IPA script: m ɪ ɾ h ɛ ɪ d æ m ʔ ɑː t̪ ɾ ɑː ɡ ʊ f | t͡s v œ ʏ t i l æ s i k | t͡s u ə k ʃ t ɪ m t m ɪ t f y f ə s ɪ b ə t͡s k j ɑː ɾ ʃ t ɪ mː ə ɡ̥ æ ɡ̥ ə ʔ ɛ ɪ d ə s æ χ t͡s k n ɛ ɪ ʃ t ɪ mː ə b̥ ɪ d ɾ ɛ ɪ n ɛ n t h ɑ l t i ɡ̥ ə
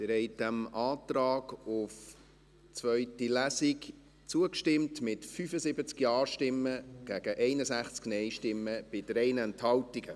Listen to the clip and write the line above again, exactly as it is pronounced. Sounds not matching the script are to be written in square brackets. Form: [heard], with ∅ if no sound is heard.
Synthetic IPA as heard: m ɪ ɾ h ɛ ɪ d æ m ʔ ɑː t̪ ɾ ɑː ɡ ʊ f | t͡s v œ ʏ t i l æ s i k | t͡s u ə k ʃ t ɪ m t m ɪ t f y f ə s ɪ b ə t͡s k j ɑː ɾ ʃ t ɪ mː ə ɡ̥ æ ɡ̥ ə ʔ ɛ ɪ [n] ə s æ χ t͡s k n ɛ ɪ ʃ t ɪ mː ə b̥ ɪ d ɾ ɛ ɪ n ɛ n t h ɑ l t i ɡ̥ ə